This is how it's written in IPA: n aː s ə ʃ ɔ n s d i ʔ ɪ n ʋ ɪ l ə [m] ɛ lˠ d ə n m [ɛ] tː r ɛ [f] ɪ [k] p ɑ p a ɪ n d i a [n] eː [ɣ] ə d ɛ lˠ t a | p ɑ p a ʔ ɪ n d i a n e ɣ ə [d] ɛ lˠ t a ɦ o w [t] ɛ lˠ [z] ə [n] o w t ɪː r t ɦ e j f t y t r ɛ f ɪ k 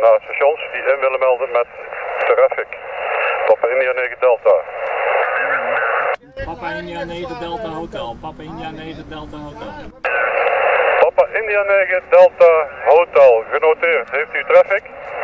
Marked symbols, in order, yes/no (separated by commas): yes, yes, yes, yes, yes, yes, yes, yes, no, yes